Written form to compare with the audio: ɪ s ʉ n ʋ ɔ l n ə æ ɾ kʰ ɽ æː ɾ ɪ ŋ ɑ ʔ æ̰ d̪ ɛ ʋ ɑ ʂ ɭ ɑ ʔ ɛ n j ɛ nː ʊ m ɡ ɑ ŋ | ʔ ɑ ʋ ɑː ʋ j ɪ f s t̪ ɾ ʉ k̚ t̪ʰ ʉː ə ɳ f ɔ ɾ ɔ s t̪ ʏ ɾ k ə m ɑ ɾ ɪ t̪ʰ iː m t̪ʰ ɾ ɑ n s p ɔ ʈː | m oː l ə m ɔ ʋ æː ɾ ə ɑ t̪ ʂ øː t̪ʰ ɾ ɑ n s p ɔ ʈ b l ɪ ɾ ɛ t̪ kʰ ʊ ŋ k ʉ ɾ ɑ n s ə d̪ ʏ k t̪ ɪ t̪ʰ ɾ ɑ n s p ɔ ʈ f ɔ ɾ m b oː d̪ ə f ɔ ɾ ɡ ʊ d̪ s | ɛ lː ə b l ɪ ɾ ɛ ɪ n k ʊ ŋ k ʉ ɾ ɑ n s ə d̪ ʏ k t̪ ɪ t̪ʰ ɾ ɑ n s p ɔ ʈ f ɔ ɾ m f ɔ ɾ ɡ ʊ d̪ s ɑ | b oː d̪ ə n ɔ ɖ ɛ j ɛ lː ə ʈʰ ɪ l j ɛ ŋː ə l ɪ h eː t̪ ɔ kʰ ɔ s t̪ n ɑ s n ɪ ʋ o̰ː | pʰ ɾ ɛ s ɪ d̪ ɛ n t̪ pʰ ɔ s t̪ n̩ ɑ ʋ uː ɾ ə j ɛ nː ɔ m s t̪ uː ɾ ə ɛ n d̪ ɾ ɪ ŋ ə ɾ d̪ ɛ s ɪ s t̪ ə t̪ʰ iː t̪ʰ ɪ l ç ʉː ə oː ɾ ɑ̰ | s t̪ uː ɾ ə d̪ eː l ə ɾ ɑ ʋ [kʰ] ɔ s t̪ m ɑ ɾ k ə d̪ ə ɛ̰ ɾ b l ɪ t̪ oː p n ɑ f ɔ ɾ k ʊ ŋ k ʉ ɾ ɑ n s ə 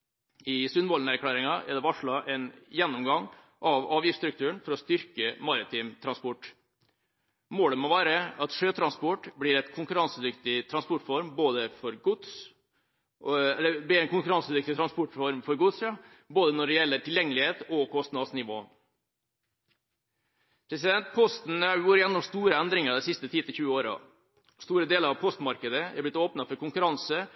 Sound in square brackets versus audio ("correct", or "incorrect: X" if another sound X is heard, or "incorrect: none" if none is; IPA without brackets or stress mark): incorrect: pʰ